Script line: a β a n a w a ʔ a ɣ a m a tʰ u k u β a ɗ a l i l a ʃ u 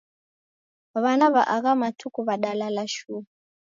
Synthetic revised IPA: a β a n a β a ʔ a ɣ a m a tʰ u k u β a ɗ a l a l a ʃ u